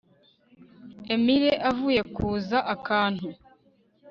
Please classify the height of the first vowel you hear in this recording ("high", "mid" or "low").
mid